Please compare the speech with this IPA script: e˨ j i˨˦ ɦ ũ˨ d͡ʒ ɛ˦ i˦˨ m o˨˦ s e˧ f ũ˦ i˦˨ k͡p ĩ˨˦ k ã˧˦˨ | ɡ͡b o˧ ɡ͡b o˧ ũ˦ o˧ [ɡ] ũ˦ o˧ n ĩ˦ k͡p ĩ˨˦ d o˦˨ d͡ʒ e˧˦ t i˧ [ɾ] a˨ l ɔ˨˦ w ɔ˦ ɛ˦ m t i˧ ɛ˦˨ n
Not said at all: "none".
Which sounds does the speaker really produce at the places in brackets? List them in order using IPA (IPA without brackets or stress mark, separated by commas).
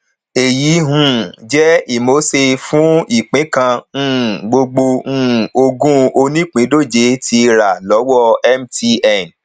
ɡ, ɾ